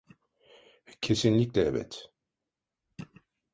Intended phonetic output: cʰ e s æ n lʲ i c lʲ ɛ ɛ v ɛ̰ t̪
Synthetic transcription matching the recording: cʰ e s i n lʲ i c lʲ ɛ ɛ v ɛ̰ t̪

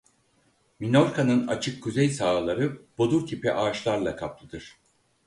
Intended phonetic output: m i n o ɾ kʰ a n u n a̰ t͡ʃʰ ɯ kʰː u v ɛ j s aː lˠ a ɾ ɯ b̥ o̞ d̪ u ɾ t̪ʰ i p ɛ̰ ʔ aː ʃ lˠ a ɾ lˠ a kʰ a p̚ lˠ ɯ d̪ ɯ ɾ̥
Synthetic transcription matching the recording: m i n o ɾ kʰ a n ɯ n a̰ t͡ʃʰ ɯ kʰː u z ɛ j s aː lˠ a ɾ ɯ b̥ o̞ d̪ u ɾ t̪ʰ i p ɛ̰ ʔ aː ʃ lˠ a ɾ lˠ a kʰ a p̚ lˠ ɯ d̪ ɯ ɾ̥

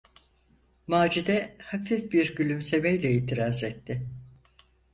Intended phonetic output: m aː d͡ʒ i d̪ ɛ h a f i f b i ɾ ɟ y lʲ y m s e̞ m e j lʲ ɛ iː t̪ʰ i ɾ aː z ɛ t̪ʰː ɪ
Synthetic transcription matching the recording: m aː d͡ʒ i d̪ ɛ h a f i f b i ɾ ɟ y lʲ y m s e̞ m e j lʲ ɛ iː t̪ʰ i ɾ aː z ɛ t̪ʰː ɪ

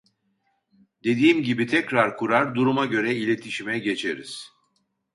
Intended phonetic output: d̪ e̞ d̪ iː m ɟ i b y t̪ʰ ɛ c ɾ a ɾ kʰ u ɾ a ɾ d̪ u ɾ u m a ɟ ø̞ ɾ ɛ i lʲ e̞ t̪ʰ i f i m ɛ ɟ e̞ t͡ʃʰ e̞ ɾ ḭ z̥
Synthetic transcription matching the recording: d̪ e̞ d̪ iː m ɟ i b i t̪ʰ ɛ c ɾ a ɾ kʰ u ɾ a ɾ d̪ u ɾ u m a ɟ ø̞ ɾ ɛ i lʲ e̞ t̪ʰ i ʃ i m ɛ ɟ e̞ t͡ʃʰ e̞ ɾ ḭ z̥

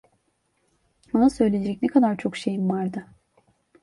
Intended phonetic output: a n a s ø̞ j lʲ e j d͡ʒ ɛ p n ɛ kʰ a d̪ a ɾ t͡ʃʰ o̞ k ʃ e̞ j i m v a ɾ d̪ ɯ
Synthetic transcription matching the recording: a n a s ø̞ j lʲ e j d͡ʒ ɛ c n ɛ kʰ a d̪ a ɾ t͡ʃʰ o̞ k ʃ e̞ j i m v a ɾ d̪ ɯ

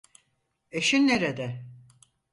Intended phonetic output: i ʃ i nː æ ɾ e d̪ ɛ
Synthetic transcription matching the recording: e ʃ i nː e ɾ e d̪ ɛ

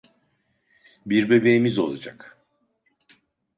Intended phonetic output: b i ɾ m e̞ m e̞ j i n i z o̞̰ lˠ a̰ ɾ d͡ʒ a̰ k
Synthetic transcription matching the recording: b i ɾ b e̞ b e̞ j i m i z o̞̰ lˠ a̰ d͡ʒ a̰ k

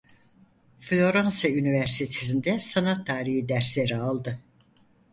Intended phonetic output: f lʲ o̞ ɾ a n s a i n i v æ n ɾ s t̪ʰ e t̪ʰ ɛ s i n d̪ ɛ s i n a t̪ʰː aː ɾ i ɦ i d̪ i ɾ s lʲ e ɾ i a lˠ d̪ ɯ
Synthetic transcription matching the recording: f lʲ o̞ ɾ a n s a y n i v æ ɾ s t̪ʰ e t̪ʰ e s i n d̪ ɛ s a n a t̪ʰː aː ɾ i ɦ i d̪ æ ɾ s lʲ e ɾ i a lˠ d̪ ɯ

